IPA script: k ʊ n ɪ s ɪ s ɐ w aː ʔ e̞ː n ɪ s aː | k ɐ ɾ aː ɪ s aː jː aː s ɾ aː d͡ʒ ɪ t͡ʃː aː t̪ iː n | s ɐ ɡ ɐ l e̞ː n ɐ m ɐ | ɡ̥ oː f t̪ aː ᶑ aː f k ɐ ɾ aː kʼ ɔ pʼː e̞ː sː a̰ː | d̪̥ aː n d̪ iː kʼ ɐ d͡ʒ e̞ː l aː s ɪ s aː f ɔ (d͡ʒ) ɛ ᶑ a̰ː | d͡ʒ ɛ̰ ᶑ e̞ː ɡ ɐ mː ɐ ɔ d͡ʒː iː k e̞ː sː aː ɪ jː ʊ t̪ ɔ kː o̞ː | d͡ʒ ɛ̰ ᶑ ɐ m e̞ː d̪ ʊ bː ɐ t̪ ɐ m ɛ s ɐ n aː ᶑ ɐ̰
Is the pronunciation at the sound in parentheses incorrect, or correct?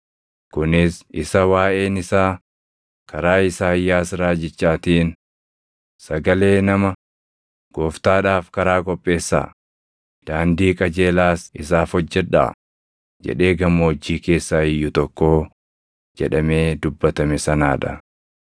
incorrect